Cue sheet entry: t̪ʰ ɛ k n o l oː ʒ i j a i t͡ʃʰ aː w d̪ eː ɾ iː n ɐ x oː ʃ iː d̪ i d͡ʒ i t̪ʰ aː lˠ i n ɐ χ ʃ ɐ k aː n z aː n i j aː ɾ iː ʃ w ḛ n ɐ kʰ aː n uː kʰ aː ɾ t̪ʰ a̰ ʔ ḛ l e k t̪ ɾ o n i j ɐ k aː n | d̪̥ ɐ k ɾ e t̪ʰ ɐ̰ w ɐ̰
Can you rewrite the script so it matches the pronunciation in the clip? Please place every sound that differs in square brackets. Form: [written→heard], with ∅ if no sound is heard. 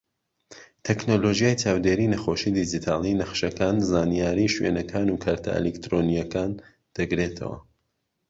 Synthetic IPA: t̪ʰ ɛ k n o l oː ʒ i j a [i→j] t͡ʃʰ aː w d̪ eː ɾ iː n ɐ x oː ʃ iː d̪ i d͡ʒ i t̪ʰ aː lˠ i n ɐ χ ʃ ɐ k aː n z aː n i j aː ɾ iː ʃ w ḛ n ɐ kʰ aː n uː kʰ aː ɾ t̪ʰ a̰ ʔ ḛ l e k t̪ ɾ o n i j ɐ k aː n | d̪̥ ɐ [k→ɡ] ɾ e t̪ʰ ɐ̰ w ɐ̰